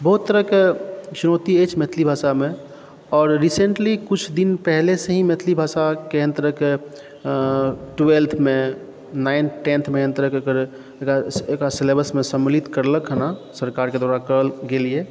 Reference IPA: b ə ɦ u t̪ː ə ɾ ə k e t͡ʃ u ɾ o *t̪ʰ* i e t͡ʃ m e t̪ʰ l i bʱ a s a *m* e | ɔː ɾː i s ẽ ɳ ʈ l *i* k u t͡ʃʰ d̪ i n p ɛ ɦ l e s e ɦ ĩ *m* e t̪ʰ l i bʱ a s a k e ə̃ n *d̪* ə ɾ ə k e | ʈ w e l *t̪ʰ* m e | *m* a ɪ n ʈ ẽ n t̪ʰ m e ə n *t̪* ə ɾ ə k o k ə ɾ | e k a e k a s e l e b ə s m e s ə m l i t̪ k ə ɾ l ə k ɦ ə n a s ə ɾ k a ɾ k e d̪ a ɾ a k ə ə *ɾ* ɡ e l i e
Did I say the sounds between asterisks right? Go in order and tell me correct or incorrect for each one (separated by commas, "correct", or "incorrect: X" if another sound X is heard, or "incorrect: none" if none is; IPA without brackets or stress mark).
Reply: incorrect: t̪, correct, correct, correct, incorrect: t̪, correct, incorrect: n, correct, incorrect: l